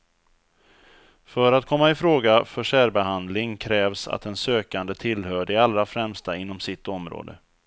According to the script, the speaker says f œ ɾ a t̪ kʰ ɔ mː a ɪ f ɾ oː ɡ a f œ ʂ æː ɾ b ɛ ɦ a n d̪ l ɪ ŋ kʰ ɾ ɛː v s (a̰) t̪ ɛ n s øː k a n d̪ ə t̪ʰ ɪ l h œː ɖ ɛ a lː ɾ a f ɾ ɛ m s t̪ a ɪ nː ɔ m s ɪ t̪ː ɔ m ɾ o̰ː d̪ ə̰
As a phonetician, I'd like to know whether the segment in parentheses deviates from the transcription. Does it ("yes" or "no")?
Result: no